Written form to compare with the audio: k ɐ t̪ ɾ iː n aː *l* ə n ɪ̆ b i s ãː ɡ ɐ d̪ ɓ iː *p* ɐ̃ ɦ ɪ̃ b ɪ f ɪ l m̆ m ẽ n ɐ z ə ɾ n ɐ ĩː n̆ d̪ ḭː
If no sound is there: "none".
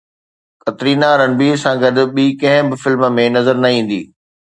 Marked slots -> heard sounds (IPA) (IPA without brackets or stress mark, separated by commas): ɾ, k